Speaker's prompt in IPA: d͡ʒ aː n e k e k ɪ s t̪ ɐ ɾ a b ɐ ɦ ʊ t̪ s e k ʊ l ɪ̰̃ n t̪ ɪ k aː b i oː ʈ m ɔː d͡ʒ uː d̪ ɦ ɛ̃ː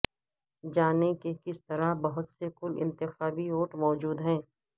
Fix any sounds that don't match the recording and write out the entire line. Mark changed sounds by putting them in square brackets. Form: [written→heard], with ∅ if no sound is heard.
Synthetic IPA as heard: d͡ʒ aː n e k e k ɪ s t̪ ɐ ɾ a b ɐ ɦ ʊ t̪ s e k ʊ l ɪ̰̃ n t̪ ɪ [k→x] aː b i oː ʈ m ɔː d͡ʒ uː d̪ ɦ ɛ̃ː